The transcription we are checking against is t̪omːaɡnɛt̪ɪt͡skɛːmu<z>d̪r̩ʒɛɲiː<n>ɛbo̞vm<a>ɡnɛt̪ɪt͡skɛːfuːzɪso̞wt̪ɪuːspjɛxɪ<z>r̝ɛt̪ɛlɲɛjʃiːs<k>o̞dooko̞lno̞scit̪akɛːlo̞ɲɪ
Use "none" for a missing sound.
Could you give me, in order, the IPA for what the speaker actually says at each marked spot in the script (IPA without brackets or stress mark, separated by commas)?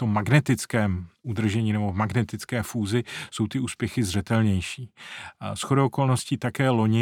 none, n, a, z, x